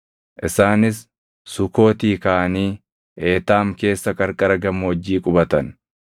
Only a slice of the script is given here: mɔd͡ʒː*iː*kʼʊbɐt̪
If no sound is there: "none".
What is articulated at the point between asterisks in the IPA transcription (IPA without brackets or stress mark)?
iː